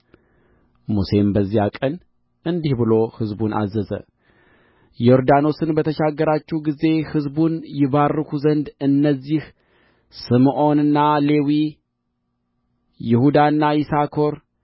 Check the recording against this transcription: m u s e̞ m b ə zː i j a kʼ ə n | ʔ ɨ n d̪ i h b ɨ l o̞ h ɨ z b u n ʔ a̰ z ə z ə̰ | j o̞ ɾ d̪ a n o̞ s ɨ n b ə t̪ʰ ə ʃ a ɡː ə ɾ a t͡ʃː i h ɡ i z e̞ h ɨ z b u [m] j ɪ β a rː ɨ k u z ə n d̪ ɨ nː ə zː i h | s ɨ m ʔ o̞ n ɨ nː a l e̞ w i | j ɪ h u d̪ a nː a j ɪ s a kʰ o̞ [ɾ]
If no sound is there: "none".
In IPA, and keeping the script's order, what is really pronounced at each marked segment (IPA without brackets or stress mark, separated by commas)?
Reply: n, ɾ